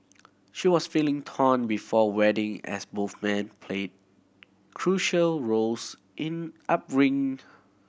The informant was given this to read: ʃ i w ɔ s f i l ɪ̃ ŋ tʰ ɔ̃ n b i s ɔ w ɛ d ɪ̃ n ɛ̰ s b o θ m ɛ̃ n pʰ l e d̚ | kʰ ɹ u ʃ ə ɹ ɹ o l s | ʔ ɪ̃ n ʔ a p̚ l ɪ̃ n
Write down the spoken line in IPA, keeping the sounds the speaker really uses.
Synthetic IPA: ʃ i w ɔ s f i l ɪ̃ ŋ tʰ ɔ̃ n b i f ɔ w ɛ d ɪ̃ ŋ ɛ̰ s b o θ m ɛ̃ n pʰ l e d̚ | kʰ ɹ u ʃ ə l ɹ o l s | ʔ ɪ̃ n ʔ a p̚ ɹ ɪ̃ ŋ